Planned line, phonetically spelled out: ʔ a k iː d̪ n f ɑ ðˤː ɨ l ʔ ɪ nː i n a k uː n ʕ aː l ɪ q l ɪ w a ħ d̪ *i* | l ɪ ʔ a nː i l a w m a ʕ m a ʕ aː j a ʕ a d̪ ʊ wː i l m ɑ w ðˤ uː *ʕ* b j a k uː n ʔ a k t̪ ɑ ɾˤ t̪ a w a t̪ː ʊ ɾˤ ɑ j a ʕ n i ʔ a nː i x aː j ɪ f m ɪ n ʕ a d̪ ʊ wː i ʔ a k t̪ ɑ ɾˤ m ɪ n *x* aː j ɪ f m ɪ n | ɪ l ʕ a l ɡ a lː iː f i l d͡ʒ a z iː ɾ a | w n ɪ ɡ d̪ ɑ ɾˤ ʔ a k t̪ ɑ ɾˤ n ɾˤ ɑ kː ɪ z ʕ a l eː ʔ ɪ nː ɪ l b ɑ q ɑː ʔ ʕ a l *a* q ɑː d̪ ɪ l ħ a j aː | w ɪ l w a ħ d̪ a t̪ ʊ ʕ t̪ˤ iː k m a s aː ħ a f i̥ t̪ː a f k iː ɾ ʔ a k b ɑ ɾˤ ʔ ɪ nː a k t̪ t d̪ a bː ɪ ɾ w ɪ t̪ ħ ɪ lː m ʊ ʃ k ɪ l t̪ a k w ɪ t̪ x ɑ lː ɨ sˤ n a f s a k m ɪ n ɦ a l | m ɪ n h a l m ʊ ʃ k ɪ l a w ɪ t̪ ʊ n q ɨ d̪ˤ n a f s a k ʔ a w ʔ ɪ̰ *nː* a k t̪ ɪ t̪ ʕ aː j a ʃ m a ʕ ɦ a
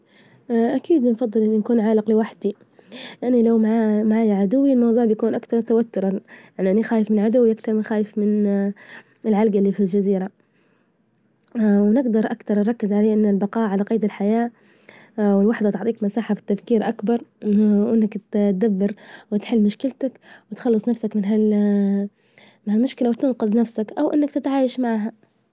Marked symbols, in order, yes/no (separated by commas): yes, yes, yes, yes, yes